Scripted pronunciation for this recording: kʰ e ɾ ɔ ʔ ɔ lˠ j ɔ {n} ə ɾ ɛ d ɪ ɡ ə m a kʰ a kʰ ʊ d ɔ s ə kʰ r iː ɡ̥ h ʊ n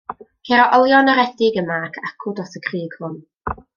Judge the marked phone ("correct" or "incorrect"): correct